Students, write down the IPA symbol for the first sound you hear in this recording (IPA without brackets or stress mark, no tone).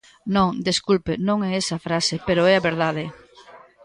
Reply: n